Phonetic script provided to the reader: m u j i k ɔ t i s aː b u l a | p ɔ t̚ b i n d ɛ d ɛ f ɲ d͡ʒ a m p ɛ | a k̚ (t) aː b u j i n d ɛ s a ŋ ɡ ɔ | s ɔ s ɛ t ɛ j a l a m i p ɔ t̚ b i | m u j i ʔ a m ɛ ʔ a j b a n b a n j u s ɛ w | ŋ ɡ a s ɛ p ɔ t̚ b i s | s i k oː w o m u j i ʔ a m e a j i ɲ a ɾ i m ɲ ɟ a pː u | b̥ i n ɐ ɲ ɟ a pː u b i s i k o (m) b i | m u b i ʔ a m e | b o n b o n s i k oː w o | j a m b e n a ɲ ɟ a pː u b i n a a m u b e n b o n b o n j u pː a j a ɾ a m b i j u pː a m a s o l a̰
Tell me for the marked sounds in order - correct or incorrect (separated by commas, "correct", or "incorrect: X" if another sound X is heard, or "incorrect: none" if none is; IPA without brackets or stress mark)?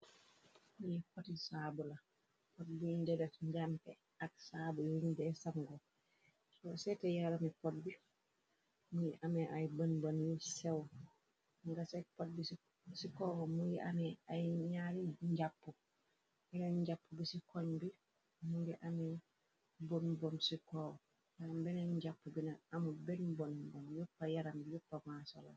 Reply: incorrect: s, incorrect: ɲ